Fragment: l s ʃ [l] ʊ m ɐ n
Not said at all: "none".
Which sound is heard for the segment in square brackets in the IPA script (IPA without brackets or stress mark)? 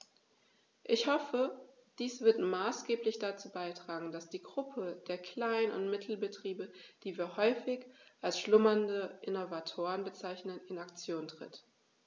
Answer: l